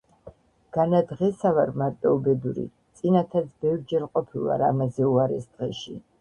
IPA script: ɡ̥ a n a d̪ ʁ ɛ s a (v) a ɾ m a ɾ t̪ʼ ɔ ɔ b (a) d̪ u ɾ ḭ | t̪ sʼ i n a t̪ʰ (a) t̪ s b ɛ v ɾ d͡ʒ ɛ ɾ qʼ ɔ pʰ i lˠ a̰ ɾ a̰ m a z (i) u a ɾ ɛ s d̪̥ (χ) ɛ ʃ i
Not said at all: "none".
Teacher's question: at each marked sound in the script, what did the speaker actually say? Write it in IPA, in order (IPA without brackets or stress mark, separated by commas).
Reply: v, ɛ, a, ɛ, ʁ